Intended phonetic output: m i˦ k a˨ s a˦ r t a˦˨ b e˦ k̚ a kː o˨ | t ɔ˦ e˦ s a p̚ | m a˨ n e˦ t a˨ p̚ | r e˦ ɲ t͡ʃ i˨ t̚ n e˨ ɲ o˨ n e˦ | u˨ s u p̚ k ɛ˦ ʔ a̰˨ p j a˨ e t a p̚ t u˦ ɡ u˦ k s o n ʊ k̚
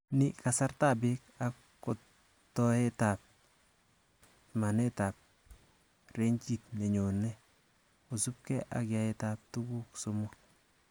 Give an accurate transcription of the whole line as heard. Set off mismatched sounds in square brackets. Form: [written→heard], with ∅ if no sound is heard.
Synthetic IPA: [m→n] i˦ k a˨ s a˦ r t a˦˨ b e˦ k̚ a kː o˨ | t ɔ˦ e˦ [s→t] a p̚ | m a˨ n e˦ t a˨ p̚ | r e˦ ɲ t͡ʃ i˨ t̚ n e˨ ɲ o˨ n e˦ | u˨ s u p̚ k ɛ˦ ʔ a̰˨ [p→k] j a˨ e t a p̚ t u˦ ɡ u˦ k s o [n→m] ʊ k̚